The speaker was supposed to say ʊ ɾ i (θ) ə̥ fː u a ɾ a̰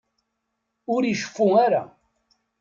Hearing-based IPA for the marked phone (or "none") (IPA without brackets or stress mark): ʃ